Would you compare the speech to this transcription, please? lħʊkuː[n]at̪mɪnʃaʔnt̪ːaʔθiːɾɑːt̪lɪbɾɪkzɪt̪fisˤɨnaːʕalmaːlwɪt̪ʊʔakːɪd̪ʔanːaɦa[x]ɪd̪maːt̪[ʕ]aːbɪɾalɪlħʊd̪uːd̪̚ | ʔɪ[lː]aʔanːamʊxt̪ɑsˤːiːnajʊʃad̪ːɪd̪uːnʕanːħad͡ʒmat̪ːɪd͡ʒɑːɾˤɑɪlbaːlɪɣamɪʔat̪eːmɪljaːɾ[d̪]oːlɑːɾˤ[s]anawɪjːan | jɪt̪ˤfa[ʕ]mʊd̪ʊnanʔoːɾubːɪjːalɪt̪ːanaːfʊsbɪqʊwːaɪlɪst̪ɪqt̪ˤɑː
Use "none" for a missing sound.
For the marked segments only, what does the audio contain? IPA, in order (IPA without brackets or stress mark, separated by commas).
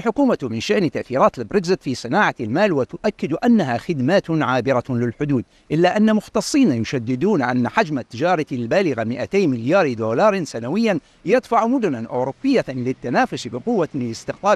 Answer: m, x, ʕ, lː, d̪, s, ʕ